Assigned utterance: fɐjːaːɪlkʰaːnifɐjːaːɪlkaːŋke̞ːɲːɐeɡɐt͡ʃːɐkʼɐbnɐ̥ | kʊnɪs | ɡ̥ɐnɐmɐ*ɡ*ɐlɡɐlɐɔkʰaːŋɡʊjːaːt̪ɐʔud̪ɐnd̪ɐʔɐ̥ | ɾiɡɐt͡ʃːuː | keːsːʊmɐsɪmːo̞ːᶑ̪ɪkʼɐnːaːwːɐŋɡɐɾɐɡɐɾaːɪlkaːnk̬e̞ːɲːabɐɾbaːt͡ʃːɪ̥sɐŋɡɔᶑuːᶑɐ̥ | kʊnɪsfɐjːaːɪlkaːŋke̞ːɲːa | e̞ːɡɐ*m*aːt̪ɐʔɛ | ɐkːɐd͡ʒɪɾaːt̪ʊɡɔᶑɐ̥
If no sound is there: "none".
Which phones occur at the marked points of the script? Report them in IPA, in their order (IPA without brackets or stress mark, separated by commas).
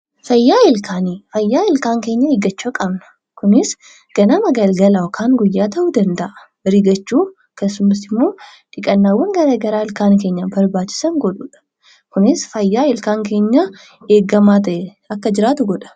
ɡ, m